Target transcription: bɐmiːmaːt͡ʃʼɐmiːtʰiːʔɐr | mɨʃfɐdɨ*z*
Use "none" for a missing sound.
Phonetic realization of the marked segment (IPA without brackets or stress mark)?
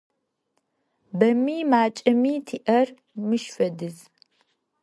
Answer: z